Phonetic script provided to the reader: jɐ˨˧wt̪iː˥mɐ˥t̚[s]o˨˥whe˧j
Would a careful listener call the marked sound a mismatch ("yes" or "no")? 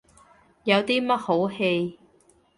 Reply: yes